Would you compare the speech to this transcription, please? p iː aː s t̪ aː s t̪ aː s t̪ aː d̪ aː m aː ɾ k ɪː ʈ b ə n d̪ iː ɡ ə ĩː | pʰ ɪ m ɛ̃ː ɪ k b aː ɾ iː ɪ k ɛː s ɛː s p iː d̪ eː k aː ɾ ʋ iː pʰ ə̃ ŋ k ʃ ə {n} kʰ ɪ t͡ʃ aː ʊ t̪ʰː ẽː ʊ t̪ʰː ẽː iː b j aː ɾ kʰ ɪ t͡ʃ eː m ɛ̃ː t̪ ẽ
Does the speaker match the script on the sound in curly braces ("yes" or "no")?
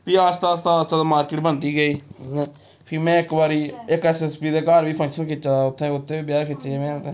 yes